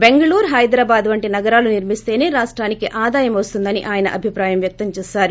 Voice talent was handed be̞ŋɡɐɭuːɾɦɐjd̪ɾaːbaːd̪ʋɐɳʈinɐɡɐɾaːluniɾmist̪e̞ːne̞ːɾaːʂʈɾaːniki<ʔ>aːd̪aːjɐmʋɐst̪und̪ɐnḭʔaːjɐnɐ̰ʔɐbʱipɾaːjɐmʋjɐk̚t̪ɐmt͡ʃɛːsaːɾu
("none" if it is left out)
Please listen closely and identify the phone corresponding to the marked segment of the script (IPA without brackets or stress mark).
ʔ